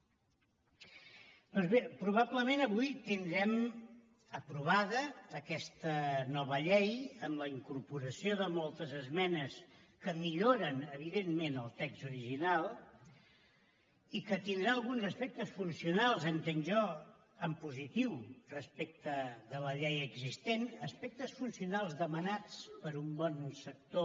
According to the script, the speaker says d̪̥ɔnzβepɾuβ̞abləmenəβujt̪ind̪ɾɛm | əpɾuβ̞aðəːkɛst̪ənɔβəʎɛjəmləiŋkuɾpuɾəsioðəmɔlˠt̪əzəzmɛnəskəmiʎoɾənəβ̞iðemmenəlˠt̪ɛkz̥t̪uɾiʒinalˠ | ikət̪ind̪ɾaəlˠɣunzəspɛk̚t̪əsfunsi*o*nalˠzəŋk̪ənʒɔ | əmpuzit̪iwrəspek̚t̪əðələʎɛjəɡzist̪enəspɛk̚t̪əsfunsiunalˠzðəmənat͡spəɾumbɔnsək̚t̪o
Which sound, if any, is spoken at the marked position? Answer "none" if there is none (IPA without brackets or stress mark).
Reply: u